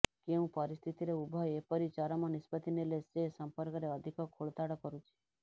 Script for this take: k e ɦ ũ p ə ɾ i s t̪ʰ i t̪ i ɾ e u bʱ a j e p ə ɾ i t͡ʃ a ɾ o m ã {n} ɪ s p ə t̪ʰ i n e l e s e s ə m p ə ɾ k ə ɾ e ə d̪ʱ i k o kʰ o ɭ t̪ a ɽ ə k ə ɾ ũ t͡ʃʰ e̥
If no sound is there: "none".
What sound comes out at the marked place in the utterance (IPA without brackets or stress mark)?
n